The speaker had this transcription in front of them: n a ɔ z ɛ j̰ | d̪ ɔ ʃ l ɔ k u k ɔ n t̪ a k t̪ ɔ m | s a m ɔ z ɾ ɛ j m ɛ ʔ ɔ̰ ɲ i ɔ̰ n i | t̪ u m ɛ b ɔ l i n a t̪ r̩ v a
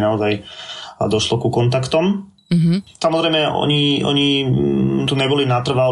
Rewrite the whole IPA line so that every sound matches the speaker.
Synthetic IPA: n a ɔ z a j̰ | d̪ ɔ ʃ l ɔ k u k ɔ n t̪ a k t̪ ɔ m | s a m ɔ z ɾ ɛ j m ɛ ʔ ɔ̰ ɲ i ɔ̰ ɲ i | t̪ u ɲ ɛ b ɔ l i n a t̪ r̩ ʋ a